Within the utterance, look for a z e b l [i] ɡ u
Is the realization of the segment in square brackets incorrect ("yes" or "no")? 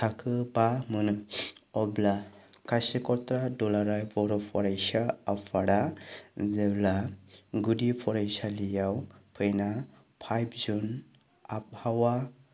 yes